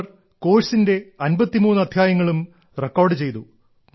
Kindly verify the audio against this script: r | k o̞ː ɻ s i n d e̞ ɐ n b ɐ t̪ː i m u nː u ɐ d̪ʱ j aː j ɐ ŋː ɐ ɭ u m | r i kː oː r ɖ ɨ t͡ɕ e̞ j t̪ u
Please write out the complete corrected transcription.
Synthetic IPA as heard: r | k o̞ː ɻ s i n d e̞ ɐ n b ɐ t̪ː i m uː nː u ɐ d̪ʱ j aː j ɐ ŋː ɐ ɭ u m | r e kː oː r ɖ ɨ t͡ɕ e̞ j t̪ u